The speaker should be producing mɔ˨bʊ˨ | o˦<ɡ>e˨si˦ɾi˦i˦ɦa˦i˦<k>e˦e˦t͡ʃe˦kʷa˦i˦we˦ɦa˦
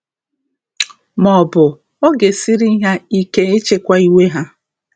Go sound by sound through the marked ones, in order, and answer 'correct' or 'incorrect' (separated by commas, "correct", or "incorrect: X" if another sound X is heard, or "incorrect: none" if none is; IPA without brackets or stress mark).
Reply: correct, correct